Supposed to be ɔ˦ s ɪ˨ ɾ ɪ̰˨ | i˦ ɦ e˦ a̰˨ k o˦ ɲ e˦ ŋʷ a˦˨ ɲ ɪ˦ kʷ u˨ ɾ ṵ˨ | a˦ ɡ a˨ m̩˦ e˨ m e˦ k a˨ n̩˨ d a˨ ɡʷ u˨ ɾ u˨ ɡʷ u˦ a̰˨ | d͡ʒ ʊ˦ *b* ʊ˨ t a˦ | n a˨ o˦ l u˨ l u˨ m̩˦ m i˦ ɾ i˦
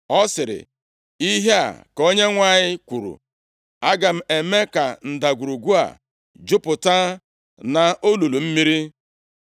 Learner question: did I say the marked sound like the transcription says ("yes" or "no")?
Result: no